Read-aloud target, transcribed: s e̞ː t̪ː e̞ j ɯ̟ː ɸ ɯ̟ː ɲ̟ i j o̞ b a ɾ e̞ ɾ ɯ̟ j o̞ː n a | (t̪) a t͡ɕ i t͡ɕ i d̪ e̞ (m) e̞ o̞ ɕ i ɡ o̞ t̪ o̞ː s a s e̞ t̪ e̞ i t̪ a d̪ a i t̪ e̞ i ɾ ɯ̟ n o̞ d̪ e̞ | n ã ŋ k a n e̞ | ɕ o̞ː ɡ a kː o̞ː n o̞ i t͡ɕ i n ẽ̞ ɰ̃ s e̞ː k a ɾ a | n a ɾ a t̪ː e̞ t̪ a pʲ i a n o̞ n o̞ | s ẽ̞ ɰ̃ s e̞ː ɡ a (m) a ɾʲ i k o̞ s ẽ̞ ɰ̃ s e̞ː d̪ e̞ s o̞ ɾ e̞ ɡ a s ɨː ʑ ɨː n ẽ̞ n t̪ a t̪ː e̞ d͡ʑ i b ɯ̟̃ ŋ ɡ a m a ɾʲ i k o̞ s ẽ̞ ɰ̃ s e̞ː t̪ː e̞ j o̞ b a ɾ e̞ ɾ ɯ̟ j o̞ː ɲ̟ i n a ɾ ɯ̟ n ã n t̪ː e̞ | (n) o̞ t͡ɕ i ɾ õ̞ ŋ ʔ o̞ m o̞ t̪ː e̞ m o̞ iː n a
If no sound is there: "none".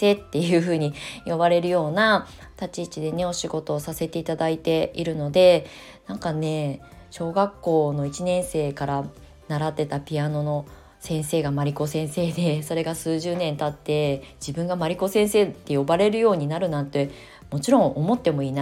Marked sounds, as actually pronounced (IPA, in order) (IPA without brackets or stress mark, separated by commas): t̪, n, m, m